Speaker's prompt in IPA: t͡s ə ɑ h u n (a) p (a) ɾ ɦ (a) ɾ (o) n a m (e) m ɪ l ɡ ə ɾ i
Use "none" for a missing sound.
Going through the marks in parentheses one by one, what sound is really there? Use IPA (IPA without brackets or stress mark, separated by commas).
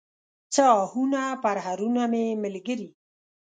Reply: a, a, a, u, e